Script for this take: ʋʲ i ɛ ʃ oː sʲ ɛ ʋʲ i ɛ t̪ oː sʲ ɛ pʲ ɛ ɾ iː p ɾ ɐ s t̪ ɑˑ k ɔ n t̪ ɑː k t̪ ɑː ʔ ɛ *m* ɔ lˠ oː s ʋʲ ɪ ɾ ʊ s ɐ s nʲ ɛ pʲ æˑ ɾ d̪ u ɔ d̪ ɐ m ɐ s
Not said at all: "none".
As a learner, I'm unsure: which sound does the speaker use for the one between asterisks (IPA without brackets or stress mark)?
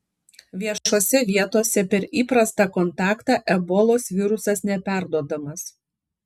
b